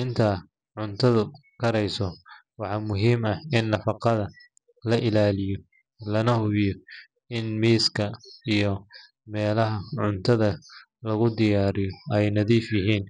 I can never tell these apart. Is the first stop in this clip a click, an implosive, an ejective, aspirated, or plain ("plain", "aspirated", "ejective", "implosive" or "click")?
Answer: aspirated